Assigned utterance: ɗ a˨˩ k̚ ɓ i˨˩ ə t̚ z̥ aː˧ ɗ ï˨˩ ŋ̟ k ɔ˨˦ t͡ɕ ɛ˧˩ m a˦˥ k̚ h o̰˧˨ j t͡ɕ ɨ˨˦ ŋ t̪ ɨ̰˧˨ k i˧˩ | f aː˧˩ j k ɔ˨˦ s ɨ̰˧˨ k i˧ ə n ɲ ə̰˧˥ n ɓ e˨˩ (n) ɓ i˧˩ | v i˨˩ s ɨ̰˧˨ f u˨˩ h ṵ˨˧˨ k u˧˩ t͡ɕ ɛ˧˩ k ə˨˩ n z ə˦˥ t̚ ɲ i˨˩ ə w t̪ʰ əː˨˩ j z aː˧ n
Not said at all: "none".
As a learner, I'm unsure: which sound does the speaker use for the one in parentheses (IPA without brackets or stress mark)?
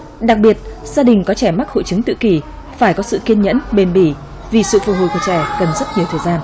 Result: n